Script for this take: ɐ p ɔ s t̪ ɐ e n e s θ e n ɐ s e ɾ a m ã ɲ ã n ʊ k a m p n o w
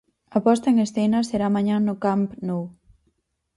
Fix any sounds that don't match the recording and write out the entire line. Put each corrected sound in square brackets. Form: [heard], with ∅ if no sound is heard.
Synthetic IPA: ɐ p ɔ s t̪ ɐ e [ŋ] e s θ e n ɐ s e ɾ a m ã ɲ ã n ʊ k a m p n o w